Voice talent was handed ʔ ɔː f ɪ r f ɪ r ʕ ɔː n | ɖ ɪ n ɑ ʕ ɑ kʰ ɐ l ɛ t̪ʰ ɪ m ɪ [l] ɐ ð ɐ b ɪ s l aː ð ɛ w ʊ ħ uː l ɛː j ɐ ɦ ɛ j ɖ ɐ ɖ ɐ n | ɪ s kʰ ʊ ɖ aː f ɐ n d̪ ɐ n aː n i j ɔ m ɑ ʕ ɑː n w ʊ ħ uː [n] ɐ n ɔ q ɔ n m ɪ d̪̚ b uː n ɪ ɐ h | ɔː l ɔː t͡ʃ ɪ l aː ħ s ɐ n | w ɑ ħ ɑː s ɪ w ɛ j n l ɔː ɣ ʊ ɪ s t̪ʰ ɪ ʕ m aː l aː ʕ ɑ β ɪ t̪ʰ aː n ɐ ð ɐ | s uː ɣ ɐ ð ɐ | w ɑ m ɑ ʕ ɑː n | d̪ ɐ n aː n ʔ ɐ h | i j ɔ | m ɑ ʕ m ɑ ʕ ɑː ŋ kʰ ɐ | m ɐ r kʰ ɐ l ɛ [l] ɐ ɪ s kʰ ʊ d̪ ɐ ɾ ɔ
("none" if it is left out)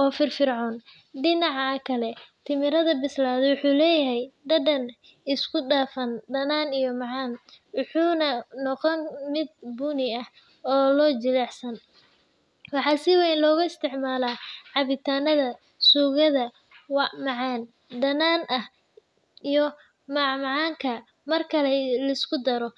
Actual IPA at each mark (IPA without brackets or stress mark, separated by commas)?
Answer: ɾ, n, l